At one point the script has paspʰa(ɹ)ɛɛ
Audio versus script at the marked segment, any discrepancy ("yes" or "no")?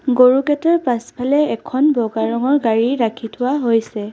yes